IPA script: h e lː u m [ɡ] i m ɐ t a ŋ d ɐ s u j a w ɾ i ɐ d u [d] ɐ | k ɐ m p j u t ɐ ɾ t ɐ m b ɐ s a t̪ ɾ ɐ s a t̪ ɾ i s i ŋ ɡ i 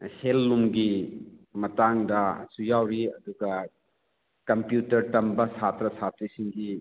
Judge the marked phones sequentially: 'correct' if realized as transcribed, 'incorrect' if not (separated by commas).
correct, incorrect